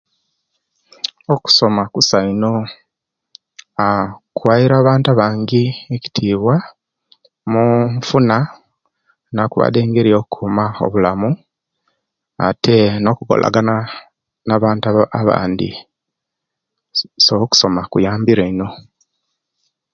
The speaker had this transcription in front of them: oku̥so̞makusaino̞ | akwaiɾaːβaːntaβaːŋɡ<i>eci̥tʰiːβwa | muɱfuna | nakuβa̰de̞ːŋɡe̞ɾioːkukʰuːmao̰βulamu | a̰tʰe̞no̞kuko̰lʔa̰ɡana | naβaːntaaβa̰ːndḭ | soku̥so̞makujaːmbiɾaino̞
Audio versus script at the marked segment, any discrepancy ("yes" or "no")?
no